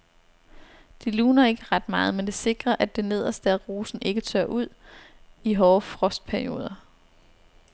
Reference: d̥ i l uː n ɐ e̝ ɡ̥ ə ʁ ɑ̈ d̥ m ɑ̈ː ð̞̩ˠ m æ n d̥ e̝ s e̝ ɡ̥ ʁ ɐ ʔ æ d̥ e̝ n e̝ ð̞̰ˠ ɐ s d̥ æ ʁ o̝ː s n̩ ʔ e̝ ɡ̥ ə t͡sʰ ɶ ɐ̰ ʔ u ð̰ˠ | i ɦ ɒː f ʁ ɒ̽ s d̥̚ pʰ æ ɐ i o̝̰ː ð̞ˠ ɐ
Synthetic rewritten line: d̥ i l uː n ɐ e̝ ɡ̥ ə ʁ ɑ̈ d̥ m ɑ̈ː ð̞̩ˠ m e n d̥ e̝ s e̝ ɡ̥ ʁ ɐ ʔ æ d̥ e̝ n e̝ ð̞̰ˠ ɐ s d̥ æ ʁ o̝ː s n̩ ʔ e̝ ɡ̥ ə t͡sʰ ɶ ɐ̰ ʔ u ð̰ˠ | i ɦ ɒː f ʁ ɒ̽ s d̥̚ pʰ æ ɐ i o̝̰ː ð̞ˠ ɐ